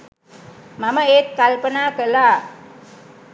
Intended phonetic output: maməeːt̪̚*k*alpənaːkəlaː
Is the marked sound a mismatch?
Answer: no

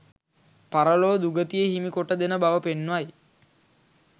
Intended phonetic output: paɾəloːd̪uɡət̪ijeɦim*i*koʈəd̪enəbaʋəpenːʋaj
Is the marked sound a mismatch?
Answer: no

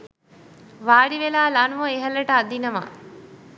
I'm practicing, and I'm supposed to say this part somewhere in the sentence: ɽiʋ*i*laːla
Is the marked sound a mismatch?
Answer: yes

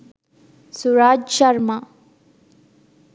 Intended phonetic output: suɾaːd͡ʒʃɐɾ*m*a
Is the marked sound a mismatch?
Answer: no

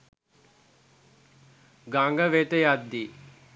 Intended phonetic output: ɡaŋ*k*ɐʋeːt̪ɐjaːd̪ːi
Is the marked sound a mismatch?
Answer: yes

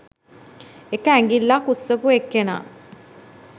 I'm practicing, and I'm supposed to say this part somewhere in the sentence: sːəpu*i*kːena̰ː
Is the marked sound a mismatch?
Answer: yes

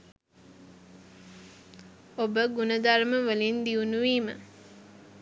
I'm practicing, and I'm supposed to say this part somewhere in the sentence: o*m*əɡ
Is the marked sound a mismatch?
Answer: yes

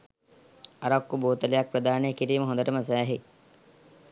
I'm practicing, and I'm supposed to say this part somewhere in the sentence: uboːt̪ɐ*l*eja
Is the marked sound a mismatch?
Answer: no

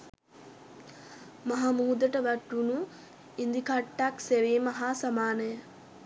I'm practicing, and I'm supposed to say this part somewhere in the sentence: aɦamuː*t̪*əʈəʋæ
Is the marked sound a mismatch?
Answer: yes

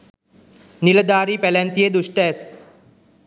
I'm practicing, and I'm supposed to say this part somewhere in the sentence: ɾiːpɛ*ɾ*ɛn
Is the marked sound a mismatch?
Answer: yes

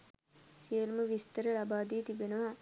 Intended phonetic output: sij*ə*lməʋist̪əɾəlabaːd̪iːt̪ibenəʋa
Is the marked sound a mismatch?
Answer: no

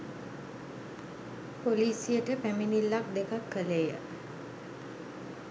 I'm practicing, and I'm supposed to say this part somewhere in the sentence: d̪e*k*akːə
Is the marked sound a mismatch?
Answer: no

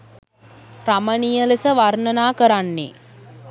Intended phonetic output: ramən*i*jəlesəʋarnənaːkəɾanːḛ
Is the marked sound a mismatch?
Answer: no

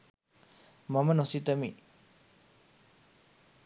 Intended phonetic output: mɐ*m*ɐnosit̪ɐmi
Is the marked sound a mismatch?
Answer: no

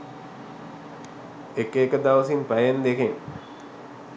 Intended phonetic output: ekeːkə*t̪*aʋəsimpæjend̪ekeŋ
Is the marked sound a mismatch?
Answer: yes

